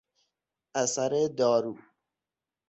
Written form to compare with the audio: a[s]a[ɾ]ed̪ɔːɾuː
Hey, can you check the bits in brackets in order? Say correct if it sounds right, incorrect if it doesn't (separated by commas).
correct, correct